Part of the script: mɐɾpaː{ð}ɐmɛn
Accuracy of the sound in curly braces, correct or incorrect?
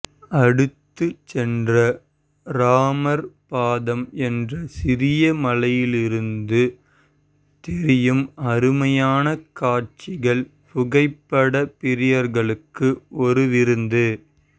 correct